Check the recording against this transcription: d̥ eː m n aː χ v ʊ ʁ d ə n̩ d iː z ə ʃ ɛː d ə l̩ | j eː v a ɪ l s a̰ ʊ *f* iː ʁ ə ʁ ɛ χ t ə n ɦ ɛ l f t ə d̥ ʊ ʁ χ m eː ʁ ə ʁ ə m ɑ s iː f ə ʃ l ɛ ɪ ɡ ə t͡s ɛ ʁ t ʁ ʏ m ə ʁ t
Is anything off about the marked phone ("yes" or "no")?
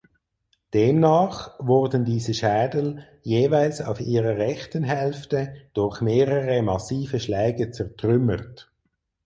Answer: no